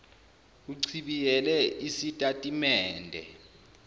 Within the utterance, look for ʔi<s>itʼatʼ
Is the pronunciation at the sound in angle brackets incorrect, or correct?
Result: correct